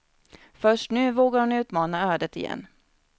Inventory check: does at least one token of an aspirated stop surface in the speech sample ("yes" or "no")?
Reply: no